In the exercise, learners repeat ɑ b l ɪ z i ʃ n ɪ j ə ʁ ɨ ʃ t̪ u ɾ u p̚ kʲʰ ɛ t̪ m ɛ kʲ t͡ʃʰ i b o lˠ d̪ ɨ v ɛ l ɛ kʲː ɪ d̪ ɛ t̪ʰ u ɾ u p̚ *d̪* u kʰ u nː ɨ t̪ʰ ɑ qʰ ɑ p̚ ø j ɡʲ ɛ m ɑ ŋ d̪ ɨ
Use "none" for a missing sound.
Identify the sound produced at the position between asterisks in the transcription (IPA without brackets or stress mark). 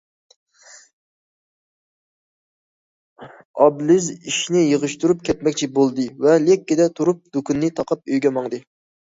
d̪